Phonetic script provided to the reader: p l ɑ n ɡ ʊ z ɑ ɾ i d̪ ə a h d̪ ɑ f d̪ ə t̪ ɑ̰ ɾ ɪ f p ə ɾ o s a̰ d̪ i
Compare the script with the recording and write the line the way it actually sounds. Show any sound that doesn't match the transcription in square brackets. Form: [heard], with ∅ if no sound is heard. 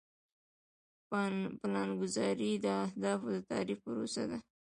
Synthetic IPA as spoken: p l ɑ n ɡ ʊ z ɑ ɾ i d̪ ə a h d̪ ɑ f d̪ ə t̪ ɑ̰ ɾ [i] f p ə ɾ o s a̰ d̪ [a]